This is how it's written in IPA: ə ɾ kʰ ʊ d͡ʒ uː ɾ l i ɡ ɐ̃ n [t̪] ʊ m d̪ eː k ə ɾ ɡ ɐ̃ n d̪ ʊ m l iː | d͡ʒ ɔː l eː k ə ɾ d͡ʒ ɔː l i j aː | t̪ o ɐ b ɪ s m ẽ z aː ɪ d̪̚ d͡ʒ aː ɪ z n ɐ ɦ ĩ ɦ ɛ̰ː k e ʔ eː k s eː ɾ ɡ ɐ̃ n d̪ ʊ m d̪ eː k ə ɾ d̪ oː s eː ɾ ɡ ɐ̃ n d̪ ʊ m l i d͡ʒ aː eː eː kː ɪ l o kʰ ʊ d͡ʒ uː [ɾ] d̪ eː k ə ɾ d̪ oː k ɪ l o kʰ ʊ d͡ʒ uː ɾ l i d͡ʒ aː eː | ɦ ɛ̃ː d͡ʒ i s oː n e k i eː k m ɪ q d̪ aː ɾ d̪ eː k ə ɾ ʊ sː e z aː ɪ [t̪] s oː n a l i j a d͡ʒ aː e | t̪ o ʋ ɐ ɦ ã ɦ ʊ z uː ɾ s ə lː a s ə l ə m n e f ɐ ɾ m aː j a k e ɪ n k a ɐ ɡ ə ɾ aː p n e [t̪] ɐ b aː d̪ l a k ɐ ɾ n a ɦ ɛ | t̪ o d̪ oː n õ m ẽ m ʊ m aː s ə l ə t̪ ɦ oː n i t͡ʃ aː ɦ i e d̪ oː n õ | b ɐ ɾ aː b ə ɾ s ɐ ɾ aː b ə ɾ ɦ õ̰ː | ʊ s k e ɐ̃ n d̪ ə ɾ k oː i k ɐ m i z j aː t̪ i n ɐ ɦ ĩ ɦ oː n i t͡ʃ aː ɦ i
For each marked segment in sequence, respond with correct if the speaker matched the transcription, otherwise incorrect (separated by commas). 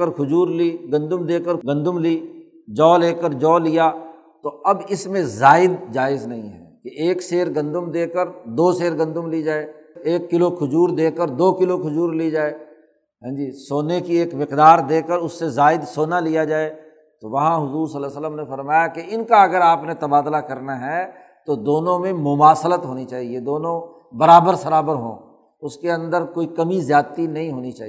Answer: incorrect, correct, incorrect, correct